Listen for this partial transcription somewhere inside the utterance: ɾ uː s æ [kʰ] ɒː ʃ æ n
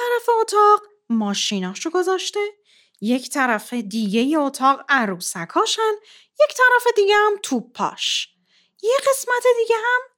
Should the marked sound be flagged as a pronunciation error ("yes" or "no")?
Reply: no